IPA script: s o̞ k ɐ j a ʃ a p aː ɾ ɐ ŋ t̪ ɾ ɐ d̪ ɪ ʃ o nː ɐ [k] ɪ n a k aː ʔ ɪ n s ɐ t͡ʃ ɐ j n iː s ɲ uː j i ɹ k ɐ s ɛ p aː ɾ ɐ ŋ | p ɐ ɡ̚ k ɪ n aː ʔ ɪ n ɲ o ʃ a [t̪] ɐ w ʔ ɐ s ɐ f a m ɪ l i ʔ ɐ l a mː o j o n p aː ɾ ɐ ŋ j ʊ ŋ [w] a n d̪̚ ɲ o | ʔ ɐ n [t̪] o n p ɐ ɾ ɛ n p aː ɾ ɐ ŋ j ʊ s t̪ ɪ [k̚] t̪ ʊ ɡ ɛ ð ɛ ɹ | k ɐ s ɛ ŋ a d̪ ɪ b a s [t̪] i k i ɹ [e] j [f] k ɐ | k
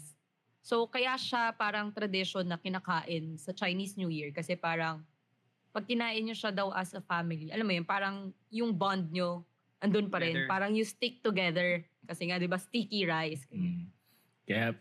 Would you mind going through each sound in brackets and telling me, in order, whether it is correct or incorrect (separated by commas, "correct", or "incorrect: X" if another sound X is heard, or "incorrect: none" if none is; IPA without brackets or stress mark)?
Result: correct, incorrect: d̪, incorrect: b, incorrect: d̪, correct, correct, incorrect: a, incorrect: s